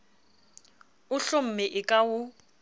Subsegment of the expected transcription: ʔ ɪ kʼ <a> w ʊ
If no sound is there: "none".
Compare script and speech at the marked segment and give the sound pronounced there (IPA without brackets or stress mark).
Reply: a